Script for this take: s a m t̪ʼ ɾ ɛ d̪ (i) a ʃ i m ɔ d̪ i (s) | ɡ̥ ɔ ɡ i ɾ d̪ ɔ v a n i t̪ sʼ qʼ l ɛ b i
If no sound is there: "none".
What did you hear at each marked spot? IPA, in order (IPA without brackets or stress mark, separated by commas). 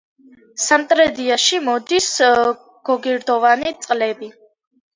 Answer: i, s